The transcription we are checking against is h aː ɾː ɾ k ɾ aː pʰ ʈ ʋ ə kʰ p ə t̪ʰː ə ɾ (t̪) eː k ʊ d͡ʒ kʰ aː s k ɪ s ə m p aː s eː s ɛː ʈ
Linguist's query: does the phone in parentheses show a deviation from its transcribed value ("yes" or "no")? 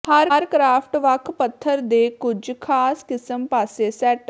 yes